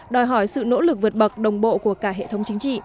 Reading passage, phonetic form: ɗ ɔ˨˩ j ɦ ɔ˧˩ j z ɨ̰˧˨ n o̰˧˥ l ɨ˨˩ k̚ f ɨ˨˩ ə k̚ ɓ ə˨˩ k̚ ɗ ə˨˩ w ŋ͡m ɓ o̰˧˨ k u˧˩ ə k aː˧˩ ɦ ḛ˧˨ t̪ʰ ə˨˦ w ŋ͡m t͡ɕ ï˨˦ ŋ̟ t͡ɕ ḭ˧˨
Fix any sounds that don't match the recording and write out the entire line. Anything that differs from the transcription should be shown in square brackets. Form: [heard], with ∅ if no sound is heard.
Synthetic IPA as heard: ɗ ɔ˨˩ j ɦ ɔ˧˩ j [s] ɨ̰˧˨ n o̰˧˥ l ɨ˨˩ k̚ [v] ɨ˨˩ ə [t̚] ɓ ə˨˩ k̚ ɗ ə˨˩ w ŋ͡m ɓ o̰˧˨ k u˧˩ ə k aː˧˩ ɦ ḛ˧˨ t̪ʰ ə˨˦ w ŋ͡m t͡ɕ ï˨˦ ŋ̟ t͡ɕ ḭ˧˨